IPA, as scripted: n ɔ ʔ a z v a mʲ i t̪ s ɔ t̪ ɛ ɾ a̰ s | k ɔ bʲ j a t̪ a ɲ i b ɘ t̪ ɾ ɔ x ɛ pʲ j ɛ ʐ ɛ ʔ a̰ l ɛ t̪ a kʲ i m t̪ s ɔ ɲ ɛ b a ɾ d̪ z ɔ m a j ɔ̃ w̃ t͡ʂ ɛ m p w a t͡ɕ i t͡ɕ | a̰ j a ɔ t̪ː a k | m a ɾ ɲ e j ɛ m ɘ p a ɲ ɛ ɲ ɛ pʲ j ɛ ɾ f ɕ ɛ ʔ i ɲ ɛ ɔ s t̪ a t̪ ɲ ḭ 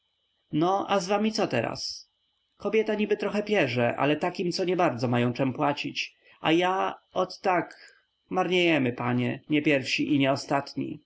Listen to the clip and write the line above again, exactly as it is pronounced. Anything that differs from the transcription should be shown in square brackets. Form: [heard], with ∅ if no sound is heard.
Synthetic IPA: n ɔ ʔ a z v a mʲ i t̪ s ɔ t̪ ɛ ɾ a̰ s | k ɔ bʲ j [ɛ] t̪ a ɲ i b ɘ t̪ ɾ ɔ x ɛ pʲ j ɛ ʐ ɛ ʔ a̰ l ɛ t̪ a kʲ i m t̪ s ɔ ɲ ɛ b a ɾ d̪ z ɔ m a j ɔ̃ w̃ t͡ʂ ɛ m p w a t͡ɕ i t͡ɕ | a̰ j a ɔ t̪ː a k | m a ɾ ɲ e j ɛ m ɘ p a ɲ ɛ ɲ ɛ pʲ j ɛ ɾ f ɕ [i] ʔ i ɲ ɛ ɔ s t̪ a t̪ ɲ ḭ

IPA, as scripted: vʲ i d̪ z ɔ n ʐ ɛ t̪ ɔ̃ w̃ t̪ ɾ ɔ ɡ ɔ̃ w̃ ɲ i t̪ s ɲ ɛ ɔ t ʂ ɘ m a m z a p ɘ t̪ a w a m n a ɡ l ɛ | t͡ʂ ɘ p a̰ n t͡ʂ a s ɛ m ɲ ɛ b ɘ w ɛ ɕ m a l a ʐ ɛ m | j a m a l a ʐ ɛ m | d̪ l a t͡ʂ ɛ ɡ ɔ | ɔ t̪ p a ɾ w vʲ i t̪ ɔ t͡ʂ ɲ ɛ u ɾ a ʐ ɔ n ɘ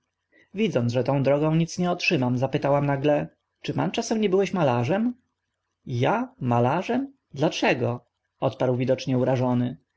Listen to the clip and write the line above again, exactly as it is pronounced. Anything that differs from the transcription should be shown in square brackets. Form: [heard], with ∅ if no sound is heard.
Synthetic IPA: vʲ i d̪ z ɔ n ʐ ɛ t̪ ɔ̃ w̃ [d̪] ɾ ɔ ɡ ɔ̃ w̃ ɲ i t̪ s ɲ ɛ ɔ t ʂ ɘ m a m z a p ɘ t̪ a w a m n a ɡ l ɛ | t͡ʂ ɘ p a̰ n t͡ʂ a s ɛ m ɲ ɛ b ɘ w ɛ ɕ m a l a ʐ ɛ m | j a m a l a ʐ ɛ m | d̪ l a t͡ʂ ɛ ɡ ɔ | ɔ t̪ p a ɾ w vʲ i [d̪] ɔ t͡ʂ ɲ ɛ u ɾ a ʐ ɔ n ɘ

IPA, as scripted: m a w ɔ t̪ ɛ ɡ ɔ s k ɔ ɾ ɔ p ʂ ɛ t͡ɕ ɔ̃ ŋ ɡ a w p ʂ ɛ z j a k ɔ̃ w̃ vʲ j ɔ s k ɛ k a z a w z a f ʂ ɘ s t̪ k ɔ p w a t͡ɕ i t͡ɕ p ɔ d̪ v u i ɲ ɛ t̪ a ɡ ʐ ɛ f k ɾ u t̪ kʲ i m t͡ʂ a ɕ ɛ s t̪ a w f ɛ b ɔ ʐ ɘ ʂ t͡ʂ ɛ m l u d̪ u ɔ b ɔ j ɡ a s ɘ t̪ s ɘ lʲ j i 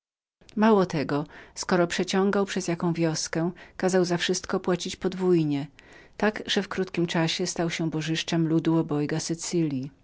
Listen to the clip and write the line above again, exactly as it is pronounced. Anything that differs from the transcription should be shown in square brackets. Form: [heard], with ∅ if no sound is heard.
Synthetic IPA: m a w ɔ t̪ ɛ ɡ ɔ s k ɔ ɾ ɔ p ʂ ɛ t͡ɕ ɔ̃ ŋ ɡ a w p ʂ ɛ z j a k ɔ̃ w̃ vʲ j ɔ s k ɛ k a z a w z a f ʂ ɘ s t̪ k ɔ p w a t͡ɕ i t͡ɕ p ɔ d̪ v u [j] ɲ ɛ t̪ a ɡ ʐ ɛ f k ɾ u t̪ kʲ i m t͡ʂ a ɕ ɛ s t̪ a w [ɕ] ɛ b ɔ ʐ ɘ ʂ t͡ʂ ɛ m l u d̪ u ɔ b ɔ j ɡ a s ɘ t̪ s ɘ lʲ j i

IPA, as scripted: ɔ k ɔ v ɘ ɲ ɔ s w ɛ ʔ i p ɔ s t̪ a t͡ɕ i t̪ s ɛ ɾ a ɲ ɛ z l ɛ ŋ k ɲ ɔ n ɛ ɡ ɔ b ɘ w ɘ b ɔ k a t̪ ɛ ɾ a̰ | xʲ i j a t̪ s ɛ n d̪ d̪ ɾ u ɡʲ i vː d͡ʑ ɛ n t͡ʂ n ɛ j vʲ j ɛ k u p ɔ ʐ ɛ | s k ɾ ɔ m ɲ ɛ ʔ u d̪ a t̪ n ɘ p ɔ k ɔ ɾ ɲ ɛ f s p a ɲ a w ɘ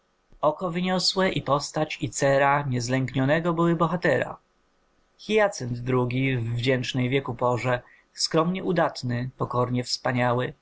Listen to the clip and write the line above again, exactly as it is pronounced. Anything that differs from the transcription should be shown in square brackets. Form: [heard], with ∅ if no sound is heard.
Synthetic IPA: ɔ k ɔ v ɘ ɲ ɔ s w ɛ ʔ i p ɔ s t̪ a t͡ɕ i t̪ s ɛ ɾ a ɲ ɛ z l ɛ ŋ k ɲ ɔ n ɛ ɡ ɔ b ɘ w ɘ b ɔ [x] a t̪ ɛ ɾ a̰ | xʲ i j a t̪ s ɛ n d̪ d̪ ɾ u ɡʲ i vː d͡ʑ ɛ n t͡ʂ n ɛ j vʲ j ɛ k u p ɔ ʐ ɛ | s k ɾ ɔ m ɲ ɛ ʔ u d̪ a t̪ n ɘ p ɔ k ɔ ɾ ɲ ɛ f s p a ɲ a w ɘ

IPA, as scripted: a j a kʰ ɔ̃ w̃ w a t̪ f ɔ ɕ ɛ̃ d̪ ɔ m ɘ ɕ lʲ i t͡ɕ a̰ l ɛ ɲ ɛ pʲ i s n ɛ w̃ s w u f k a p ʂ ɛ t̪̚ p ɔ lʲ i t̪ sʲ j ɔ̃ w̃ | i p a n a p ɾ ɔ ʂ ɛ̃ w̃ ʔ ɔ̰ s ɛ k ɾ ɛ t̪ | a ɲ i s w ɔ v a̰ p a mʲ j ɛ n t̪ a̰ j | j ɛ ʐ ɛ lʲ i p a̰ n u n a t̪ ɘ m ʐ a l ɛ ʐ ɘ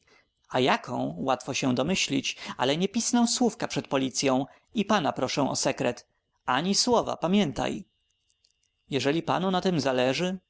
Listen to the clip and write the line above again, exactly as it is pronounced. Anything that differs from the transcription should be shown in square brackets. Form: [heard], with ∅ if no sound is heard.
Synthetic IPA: a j a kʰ ɔ̃ w̃ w a t̪ f ɔ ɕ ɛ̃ d̪ ɔ m ɘ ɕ lʲ i t͡ɕ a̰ l ɛ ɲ ɛ pʲ i s n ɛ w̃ s w u f k a p ʂ ɛ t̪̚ p ɔ lʲ i t̪ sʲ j ɔ̃ w̃ | i p a n a p ɾ ɔ ʂ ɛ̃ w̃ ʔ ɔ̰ s ɛ k ɾ ɛ t̪ | a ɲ i s w ɔ v a̰ p a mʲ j ɛ n t̪ a̰ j | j ɛ ʐ ɛ lʲ i p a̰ n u n a t̪ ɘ m [z] a l ɛ ʐ ɘ

